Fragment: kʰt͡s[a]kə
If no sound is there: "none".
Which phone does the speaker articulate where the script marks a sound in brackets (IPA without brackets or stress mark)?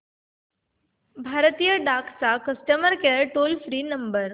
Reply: a